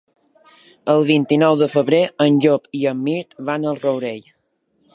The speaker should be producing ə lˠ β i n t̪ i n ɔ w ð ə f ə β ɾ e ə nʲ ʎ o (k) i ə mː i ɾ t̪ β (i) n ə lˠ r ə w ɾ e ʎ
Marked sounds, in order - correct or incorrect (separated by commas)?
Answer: incorrect, incorrect